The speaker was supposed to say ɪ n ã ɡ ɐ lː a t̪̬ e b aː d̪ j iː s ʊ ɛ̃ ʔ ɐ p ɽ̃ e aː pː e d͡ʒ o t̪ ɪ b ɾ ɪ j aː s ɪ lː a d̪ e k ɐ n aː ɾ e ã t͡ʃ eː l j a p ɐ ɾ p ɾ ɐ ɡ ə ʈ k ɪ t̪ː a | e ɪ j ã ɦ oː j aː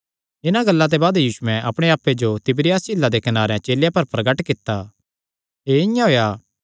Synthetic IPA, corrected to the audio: ɪ n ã ɡ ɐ lː a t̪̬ e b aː d̪ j iː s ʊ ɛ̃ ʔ ɐ p ɽ̃ e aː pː e d͡ʒ o t̪ ɪ b ɾ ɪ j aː s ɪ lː a d̪ e k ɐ n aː ɾ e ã t͡ʃ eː l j a p ɐ ɾ p ɾ ɐ ɡ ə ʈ k ɪ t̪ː a | e ɪ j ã ɦ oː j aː